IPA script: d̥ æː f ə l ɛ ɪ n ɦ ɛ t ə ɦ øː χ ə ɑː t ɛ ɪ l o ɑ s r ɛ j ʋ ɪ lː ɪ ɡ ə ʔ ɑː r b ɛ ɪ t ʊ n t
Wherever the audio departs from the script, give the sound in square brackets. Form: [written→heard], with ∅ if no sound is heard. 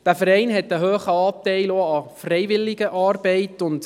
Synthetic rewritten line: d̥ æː f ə [l→ɾ] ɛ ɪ n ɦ ɛ t ə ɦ øː χ ə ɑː t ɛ ɪ l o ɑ [s→f] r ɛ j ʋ ɪ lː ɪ ɡ ə ʔ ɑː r b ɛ ɪ t ʊ n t